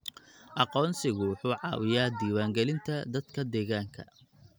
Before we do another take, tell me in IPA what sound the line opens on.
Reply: ʔ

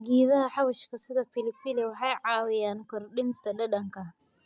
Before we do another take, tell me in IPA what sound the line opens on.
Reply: ɡ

